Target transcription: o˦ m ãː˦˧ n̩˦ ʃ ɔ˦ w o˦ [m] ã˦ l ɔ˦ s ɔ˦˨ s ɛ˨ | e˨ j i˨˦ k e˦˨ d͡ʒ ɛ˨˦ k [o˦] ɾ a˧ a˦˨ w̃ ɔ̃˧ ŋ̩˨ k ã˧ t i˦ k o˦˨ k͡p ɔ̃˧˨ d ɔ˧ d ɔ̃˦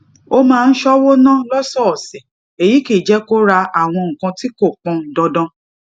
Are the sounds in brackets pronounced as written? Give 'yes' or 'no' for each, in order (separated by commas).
no, yes